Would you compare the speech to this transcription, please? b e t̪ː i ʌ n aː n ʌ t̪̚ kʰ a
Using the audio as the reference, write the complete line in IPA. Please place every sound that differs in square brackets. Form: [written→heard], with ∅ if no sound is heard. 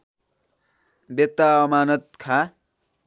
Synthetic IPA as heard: b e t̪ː [i→a] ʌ [n→m] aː n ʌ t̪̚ kʰ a